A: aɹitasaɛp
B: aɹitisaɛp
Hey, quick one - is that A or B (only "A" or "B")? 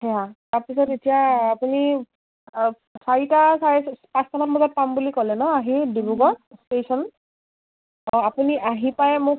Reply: A